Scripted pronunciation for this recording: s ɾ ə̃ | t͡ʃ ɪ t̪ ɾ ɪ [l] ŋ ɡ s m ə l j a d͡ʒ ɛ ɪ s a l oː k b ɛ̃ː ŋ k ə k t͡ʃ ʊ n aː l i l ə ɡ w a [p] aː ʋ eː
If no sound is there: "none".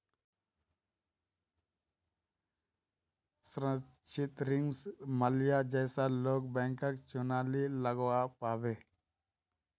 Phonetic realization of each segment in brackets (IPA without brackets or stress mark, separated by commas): none, p